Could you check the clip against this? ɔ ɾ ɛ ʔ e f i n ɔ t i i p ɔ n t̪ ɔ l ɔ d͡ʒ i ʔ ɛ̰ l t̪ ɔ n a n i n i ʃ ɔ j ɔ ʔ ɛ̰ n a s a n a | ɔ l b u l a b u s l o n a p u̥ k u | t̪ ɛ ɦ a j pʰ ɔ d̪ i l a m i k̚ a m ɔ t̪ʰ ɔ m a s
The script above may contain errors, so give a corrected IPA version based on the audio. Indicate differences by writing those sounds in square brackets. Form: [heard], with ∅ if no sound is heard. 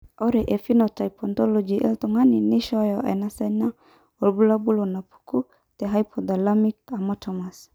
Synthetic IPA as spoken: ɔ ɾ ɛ ʔ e f i n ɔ t [a] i p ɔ n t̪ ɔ l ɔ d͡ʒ i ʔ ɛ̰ l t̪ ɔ [ŋ] a n i n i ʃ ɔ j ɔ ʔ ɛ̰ n a s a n a | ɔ l b u l a b u [∅] l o n a p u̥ k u | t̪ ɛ ɦ a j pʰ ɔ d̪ [a] l a m i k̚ a m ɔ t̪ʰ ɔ m a s